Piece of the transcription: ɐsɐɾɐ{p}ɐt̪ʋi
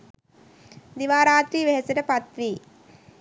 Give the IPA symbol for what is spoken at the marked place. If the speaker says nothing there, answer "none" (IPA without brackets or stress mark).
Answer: p